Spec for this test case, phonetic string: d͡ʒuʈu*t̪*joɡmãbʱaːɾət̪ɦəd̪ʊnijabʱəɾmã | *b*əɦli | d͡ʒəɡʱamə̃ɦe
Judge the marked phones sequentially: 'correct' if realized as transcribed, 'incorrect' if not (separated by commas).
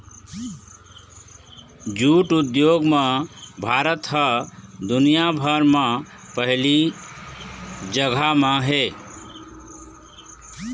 incorrect, incorrect